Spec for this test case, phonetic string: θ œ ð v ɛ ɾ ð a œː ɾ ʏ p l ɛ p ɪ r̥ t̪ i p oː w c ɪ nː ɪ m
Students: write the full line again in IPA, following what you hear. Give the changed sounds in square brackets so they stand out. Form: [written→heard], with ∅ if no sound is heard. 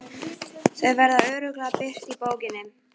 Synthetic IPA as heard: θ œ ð v ɛ ɾ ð a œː ɾ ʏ [p→k] l [ɛ→a] p ɪ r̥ t̪ i p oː w c ɪ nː ɪ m